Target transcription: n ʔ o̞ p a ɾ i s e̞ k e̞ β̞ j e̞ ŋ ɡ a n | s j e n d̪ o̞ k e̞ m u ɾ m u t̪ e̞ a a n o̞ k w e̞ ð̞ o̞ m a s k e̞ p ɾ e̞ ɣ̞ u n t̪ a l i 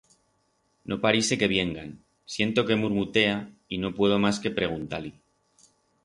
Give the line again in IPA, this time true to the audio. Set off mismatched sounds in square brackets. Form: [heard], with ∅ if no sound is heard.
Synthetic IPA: n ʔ o̞ p a ɾ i s e̞ k e̞ β̞ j e̞ ŋ ɡ a n | s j e n [t̪] o̞ k e̞ m u ɾ m u t̪ e̞ a [i] n o̞ [p] w e̞ ð̞ o̞ m a s k e̞ p ɾ e̞ ɣ̞ u n t̪ a l i